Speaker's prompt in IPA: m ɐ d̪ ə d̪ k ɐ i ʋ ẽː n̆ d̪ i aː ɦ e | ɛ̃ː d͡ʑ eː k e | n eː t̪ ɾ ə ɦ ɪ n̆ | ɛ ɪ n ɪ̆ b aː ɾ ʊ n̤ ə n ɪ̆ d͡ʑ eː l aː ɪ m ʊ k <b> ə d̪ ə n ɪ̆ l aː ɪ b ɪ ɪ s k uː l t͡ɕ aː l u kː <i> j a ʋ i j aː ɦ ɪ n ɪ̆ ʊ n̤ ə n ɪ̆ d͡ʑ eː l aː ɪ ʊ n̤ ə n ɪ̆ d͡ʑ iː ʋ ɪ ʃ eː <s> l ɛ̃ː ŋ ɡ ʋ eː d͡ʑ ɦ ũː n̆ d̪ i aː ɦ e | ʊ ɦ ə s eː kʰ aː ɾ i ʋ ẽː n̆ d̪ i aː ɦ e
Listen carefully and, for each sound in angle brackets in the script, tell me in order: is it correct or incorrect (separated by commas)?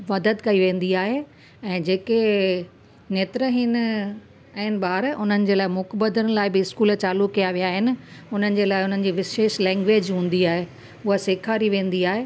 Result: correct, correct, incorrect